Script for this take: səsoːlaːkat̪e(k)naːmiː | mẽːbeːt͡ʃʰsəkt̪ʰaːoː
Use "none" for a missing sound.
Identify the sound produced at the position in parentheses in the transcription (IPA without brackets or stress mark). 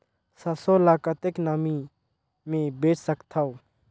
k